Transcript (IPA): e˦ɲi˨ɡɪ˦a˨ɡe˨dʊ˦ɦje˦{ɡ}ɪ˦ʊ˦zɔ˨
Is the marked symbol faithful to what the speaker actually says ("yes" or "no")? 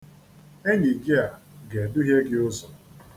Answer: yes